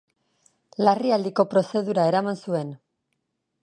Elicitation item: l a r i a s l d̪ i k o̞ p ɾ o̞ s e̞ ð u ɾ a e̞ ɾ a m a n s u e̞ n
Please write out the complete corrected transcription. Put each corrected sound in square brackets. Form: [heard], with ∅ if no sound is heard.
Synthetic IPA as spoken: l a r i a [∅] l d̪ i k o̞ p ɾ o̞ s e̞ ð u ɾ a e̞ ɾ a m a n s u e̞ n